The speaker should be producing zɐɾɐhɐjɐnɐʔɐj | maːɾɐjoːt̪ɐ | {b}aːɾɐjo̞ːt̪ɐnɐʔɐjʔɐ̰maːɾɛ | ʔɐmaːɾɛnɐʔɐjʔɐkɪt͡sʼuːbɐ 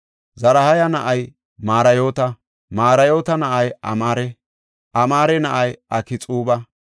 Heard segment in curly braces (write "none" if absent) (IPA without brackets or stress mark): m